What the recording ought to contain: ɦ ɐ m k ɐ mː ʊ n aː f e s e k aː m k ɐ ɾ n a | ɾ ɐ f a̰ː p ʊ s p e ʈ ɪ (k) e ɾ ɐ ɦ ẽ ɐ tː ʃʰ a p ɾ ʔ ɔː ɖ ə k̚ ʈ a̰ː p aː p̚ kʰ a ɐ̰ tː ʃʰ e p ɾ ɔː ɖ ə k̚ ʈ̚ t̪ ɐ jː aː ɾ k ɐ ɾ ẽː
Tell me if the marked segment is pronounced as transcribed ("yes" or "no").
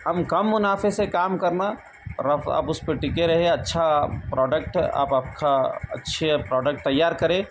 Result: yes